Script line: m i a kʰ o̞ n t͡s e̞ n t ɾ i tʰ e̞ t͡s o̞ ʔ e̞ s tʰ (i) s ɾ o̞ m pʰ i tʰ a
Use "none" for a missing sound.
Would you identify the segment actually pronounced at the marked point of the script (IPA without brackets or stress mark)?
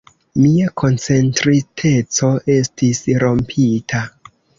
i